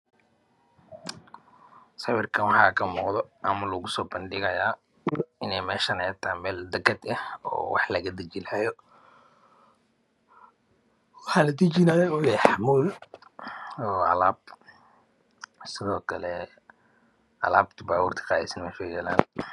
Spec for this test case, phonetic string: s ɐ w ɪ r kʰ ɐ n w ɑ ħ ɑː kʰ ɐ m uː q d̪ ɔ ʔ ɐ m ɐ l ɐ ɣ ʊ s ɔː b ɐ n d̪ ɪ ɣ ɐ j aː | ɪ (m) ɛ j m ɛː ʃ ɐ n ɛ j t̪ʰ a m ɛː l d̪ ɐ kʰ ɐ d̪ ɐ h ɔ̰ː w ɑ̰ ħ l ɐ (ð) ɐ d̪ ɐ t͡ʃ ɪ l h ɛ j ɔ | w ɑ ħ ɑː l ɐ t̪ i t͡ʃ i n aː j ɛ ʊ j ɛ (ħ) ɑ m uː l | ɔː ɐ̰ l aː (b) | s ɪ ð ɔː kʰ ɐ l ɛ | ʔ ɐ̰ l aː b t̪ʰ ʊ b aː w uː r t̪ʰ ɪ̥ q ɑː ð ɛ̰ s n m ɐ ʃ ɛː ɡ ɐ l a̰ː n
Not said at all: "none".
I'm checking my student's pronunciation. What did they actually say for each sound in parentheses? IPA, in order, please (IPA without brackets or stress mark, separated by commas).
n, ɣ, ħ, b